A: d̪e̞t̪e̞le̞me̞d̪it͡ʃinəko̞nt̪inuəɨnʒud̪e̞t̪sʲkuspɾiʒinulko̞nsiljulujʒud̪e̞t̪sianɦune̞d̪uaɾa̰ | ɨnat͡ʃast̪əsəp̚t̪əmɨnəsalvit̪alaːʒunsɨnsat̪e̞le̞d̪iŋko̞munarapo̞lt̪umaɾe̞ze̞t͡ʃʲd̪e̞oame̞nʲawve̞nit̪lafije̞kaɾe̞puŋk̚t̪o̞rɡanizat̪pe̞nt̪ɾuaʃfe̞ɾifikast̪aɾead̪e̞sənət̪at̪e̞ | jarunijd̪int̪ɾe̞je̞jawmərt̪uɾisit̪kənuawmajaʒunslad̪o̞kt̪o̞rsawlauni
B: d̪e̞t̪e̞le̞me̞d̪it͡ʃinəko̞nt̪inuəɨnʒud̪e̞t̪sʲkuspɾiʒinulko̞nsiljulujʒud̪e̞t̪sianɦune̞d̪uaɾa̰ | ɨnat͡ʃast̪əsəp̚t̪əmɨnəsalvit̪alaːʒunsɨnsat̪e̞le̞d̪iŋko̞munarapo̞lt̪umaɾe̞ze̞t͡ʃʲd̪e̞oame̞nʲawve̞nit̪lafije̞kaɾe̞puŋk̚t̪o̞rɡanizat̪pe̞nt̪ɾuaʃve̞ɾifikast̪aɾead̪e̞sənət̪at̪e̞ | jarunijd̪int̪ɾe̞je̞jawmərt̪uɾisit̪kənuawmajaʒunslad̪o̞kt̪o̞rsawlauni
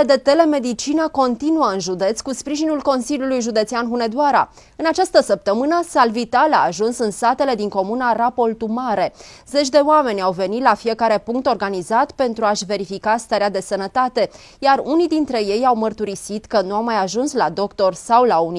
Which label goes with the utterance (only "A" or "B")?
B